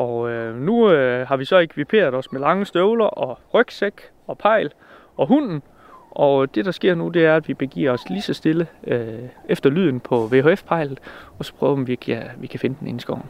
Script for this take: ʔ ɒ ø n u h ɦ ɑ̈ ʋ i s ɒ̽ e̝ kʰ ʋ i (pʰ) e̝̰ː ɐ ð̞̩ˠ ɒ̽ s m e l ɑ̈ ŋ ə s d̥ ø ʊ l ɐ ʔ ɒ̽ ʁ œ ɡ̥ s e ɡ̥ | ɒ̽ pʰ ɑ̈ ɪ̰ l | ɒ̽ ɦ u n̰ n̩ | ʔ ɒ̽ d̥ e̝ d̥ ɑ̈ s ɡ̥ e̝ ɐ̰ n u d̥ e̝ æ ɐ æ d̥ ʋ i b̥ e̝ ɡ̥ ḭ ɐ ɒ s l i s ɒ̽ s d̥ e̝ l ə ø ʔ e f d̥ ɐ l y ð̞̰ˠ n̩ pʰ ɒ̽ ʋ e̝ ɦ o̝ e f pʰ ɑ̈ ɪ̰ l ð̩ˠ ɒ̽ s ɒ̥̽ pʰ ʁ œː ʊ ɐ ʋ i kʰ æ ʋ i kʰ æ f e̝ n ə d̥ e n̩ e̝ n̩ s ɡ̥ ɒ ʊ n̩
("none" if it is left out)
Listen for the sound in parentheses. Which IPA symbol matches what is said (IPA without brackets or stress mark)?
pʰ